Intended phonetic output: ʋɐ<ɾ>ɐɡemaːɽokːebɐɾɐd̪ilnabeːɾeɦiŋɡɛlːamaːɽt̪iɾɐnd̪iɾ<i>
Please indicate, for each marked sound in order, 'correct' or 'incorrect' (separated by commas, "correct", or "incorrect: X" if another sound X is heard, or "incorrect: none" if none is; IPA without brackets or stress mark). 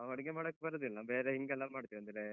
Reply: incorrect: ɽ, incorrect: e